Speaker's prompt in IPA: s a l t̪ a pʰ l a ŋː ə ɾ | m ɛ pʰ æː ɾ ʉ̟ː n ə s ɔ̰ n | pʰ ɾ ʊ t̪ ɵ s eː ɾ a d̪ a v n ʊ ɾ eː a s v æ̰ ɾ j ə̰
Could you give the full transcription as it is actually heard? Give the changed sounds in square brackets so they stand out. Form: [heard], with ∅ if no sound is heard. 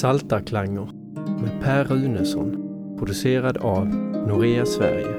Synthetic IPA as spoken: s a l t̪ a [kʰ] l a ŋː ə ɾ | m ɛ pʰ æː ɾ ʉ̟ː n ə s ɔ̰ n | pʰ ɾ ʊ [d̪] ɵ s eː ɾ a d̪ a v n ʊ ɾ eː a s v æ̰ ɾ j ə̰